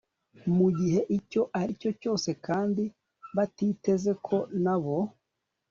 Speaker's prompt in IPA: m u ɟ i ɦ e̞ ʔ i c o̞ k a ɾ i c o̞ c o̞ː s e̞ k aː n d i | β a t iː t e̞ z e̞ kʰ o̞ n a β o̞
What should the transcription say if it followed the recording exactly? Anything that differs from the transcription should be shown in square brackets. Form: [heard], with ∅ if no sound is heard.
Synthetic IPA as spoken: m u ɟ i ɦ e̞ ʔ i c o̞ [ʔ] a ɾ i c o̞ c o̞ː s e̞ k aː n d i | β a t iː t e̞ z e̞ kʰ o̞ n a β o̞